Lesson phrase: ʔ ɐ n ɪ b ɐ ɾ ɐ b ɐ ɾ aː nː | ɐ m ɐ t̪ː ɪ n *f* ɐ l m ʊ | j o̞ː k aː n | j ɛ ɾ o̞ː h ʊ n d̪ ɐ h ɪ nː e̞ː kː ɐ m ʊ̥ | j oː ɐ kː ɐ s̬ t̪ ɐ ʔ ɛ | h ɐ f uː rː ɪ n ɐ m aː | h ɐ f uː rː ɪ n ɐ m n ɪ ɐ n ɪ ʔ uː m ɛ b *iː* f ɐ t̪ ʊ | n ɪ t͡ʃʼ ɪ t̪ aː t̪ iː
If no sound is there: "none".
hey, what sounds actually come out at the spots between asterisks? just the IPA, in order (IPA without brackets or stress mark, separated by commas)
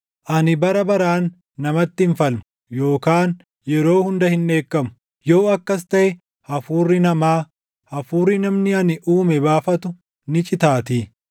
f, aː